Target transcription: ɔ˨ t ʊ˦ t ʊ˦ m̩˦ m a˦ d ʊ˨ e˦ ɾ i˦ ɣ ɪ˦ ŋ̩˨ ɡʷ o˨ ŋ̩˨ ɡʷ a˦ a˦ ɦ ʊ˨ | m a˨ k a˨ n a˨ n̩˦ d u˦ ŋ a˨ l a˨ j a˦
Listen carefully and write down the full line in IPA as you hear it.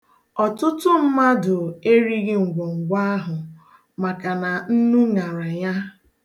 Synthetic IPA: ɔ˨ t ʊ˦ t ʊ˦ m̩˦ m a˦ d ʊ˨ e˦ ɾ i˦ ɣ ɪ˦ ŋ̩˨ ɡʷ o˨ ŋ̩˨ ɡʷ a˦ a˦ ɦ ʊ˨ | m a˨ k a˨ n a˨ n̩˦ n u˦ ŋ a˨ ɾ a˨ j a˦